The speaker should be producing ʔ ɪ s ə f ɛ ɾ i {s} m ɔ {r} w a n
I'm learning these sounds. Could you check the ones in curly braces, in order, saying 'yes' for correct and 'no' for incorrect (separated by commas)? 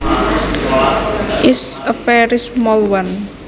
yes, no